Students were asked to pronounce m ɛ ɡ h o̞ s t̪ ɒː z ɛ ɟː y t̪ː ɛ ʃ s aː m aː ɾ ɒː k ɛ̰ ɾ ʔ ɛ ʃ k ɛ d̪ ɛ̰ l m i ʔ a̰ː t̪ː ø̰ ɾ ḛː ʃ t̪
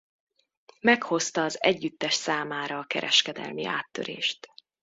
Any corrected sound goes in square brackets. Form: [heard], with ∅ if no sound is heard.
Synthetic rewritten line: m ɛ [k] h o̞ s t̪ ɒː z ɛ ɟː y t̪ː ɛ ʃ s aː m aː ɾ ɒː k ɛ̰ ɾ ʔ ɛ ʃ k ɛ d̪ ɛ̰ l m i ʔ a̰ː t̪ː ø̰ ɾ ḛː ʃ t̪